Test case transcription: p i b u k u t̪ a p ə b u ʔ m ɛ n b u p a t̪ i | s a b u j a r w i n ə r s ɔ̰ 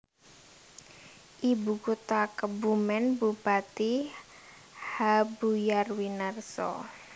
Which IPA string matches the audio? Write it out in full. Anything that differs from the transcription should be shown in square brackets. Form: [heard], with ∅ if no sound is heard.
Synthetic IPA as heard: [ʔ] i b u k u t̪ a [k] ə b u [∅] m ɛ n b u p a t̪ i | [h] a b u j a r w i n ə r s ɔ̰